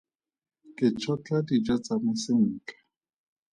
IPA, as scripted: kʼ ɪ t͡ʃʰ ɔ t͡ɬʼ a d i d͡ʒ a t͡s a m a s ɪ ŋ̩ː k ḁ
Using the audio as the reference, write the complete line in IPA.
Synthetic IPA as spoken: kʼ ɪ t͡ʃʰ ɔ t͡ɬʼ a d i d͡ʒ a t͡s a m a s ɪ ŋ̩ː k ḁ